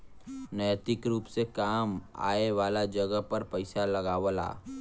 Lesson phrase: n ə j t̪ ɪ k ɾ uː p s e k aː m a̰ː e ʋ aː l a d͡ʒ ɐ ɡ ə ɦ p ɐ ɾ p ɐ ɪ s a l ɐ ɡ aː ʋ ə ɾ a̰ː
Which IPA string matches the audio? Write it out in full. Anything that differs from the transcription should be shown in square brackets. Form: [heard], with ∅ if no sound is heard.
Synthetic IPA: n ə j t̪ ɪ k ɾ uː p s e k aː m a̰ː e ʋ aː l a d͡ʒ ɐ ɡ ə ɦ p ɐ ɾ p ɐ ɪ s a l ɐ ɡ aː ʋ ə [l] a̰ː